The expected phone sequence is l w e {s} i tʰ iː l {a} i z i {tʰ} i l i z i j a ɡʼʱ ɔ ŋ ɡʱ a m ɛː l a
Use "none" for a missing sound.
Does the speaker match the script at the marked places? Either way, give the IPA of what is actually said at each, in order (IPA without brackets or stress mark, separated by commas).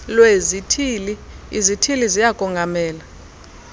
z, i, tʰ